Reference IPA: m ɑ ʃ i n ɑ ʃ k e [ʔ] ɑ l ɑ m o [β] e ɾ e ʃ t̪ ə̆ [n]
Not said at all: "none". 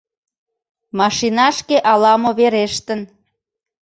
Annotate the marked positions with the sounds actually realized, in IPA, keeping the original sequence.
ʔ, β, n

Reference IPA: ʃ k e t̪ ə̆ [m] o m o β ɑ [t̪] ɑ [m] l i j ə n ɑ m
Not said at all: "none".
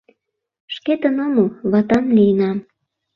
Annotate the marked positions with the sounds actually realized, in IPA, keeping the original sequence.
n, t̪, m

